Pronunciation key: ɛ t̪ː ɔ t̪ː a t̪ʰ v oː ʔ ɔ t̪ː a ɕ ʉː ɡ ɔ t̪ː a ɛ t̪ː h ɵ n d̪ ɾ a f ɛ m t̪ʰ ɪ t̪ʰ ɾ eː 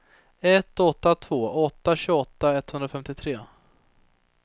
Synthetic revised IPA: ɛ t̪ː ɔ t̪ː a t̪ʰ v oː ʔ ɔ t̪ː a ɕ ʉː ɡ ɔ t̪ː a ɛ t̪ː h ɵ n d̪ ɾ a f ɛ m t̪ ɪ t̪ʰ ɾ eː